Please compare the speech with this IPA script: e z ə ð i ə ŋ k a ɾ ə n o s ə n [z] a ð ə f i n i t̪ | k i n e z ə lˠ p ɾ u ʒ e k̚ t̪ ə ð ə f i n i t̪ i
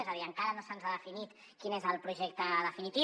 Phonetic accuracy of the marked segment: correct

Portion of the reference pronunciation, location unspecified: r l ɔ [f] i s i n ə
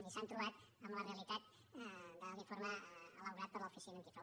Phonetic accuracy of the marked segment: correct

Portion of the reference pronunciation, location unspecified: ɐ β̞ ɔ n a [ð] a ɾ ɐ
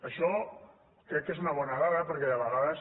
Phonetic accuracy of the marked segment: incorrect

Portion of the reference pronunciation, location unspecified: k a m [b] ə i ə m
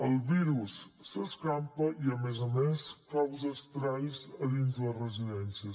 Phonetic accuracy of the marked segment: incorrect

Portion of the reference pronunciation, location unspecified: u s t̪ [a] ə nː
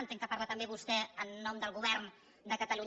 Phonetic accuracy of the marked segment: incorrect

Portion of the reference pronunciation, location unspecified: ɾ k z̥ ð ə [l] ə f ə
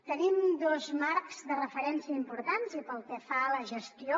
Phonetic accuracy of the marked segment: incorrect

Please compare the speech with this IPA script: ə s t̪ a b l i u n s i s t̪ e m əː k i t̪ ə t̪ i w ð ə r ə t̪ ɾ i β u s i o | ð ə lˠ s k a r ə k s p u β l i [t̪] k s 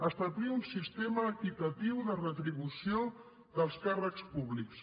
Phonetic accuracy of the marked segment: incorrect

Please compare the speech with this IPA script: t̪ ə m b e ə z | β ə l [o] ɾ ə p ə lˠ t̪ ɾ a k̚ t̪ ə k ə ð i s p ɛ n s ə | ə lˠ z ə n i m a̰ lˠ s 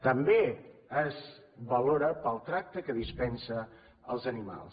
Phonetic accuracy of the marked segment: correct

